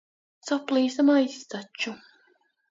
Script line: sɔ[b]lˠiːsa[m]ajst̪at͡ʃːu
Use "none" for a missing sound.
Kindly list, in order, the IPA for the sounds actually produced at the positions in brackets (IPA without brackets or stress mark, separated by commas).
p, m